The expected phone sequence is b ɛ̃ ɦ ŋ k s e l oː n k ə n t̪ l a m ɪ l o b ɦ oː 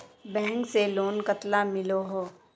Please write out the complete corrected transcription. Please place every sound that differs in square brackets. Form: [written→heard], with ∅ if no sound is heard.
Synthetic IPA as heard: b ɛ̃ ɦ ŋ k s e l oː n k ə [n→∅] t̪ l a m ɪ l o [b→∅] ɦ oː